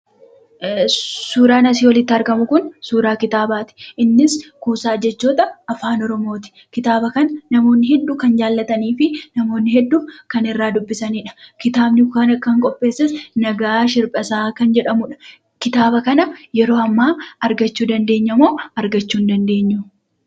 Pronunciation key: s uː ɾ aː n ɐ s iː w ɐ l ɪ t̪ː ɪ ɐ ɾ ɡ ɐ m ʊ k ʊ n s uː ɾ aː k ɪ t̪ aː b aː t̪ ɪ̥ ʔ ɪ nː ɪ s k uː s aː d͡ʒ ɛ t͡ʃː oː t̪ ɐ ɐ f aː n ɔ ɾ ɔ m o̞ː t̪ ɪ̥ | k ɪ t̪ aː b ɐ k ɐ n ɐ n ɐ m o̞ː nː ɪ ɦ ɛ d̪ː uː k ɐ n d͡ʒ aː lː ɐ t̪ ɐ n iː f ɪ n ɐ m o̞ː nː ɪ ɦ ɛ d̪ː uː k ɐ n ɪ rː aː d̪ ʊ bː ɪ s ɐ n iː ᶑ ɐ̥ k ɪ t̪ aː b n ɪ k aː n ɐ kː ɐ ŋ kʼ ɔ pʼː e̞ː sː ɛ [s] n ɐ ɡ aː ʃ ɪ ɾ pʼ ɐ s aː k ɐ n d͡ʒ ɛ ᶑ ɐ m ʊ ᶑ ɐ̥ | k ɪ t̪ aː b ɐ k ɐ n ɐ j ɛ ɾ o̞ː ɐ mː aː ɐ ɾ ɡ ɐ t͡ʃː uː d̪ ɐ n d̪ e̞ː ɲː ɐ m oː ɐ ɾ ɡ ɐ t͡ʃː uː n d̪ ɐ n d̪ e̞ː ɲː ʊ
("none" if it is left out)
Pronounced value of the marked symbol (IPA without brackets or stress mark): s